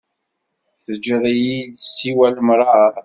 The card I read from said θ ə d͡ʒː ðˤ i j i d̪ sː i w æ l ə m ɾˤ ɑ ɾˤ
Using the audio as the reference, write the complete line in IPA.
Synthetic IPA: θ ə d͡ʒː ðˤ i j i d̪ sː i w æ l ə m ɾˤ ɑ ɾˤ